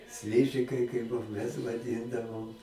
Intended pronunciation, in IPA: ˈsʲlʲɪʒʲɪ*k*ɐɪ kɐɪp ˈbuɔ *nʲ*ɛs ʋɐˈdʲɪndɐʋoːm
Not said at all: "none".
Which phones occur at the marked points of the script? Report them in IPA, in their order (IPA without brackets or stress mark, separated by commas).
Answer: k, mʲ